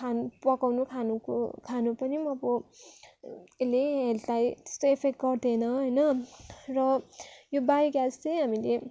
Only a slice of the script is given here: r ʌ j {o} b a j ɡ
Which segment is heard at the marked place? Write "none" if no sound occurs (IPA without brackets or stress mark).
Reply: o